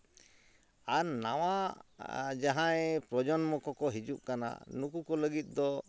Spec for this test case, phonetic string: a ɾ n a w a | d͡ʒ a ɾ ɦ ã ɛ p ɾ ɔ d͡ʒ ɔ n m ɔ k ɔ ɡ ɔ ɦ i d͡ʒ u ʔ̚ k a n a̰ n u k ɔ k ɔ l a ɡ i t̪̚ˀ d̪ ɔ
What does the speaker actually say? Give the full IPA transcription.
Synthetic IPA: a ɾ n a w a | d͡ʒ a ɦ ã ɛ p ɾ ɔ d͡ʒ ɔ n m ɔ k ɔ k ɔ ɦ i d͡ʒ u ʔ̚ k a n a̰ n u k u k ɔ l ə ɡ i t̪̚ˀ d̪ ɔ